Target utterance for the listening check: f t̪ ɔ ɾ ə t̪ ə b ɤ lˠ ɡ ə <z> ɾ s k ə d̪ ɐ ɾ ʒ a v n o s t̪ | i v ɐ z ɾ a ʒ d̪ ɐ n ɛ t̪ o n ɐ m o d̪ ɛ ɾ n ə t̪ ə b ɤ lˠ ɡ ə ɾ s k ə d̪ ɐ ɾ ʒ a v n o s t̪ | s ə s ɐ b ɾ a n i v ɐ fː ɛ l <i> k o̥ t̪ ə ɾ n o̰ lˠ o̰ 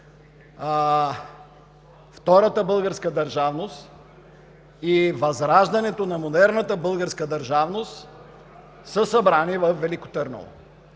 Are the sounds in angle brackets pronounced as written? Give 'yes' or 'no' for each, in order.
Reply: no, yes

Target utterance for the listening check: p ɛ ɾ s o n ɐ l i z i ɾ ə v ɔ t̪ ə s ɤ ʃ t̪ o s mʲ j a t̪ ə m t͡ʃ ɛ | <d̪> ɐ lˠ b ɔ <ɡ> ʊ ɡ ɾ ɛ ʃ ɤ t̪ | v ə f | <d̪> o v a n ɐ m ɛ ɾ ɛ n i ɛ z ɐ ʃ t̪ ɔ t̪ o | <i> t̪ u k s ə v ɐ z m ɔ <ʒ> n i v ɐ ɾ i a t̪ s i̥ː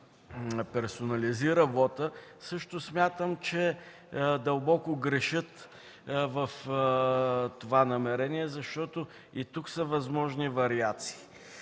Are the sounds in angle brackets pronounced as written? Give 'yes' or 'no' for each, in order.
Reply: yes, no, no, yes, yes

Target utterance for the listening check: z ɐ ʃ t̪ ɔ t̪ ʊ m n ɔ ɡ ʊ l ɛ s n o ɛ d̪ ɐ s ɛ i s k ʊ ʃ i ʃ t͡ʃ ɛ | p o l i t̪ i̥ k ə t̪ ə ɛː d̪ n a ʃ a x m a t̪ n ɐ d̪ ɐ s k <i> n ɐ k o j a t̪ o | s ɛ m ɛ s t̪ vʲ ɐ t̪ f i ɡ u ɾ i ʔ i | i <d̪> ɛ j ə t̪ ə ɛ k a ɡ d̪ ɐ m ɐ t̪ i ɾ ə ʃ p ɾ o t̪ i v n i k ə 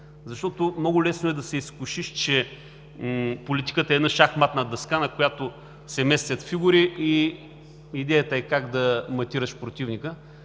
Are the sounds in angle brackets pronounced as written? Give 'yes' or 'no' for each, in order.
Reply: no, yes

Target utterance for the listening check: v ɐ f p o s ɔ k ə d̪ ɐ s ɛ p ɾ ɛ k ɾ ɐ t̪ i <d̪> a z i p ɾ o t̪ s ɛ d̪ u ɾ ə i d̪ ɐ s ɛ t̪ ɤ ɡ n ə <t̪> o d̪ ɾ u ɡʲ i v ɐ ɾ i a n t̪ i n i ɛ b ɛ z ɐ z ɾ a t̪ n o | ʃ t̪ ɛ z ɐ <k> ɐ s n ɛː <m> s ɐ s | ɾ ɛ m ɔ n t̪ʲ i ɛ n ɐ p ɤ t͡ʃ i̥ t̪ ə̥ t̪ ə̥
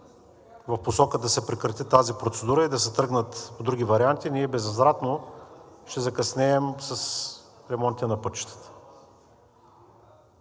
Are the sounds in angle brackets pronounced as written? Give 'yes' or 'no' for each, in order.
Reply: no, yes, yes, yes

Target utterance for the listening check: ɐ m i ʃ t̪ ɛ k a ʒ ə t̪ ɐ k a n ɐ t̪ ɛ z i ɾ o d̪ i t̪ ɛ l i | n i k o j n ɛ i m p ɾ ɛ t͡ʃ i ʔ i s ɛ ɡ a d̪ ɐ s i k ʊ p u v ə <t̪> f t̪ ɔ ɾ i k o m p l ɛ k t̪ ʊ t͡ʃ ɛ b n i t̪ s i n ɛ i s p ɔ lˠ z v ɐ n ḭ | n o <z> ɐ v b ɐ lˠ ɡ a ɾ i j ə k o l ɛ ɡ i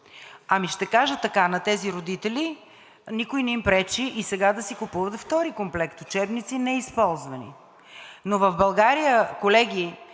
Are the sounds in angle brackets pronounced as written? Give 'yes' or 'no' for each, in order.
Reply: yes, no

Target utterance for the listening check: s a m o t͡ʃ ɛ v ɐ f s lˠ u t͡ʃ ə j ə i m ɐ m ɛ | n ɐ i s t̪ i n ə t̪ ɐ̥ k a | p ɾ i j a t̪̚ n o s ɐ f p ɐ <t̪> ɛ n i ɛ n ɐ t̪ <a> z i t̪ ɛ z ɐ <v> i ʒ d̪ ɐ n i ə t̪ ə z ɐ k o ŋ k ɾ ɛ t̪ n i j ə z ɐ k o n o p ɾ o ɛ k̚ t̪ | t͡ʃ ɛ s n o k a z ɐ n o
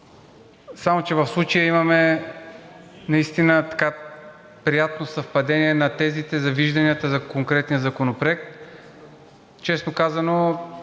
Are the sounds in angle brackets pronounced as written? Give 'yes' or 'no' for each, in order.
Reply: no, no, yes

